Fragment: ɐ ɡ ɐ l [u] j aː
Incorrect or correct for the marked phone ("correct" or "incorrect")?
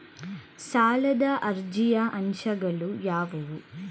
correct